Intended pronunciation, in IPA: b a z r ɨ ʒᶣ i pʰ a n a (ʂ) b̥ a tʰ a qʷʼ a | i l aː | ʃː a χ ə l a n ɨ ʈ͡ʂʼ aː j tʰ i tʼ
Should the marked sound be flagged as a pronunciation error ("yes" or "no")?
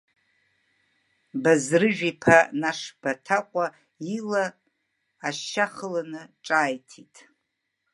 no